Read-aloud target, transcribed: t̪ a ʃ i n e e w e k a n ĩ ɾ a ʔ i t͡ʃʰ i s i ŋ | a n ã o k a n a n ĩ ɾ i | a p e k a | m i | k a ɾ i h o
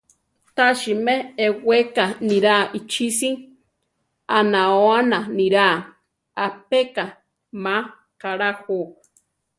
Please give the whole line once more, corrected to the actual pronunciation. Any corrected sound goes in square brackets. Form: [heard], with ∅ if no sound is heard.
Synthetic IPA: t̪ a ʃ i [m] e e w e k a n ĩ ɾ a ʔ i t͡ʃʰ i s i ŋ | a n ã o [∅] a n a n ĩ ɾ [a] | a p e k a | m [a] | k a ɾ [a] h o